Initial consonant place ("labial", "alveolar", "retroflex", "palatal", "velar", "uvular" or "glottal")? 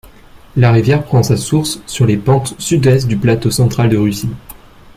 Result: alveolar